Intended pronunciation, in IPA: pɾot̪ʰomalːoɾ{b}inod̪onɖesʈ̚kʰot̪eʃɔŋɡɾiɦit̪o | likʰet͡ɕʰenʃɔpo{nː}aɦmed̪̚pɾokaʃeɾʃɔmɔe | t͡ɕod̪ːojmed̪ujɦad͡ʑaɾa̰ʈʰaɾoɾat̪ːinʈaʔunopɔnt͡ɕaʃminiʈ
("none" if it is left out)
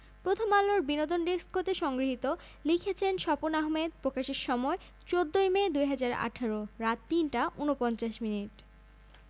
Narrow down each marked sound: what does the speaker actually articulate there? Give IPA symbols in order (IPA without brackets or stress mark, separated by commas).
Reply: b, n